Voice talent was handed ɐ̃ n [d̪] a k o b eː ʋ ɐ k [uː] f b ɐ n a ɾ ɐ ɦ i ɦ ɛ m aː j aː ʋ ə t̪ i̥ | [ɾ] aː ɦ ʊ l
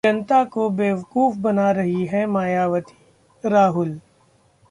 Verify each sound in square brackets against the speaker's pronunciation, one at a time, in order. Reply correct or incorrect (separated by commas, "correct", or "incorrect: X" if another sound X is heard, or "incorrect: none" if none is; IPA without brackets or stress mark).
incorrect: t̪, correct, correct